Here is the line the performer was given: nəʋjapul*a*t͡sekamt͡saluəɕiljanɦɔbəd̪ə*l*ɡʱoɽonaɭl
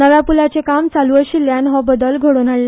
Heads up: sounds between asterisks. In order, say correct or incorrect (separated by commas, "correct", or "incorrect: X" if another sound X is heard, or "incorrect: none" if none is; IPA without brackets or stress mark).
correct, correct